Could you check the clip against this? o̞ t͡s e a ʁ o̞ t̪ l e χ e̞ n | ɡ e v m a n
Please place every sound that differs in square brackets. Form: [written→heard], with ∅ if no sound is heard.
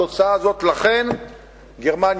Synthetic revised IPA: o̞ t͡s [e→a] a [ʁ→z] o̞ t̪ l [e→a] χ e̞ n | ɡ e [v→ʁ] m a n